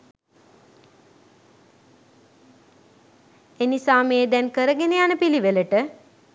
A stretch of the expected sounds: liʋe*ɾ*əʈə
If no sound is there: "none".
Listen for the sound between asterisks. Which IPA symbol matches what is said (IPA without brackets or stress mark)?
l